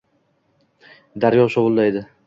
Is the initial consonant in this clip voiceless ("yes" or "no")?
no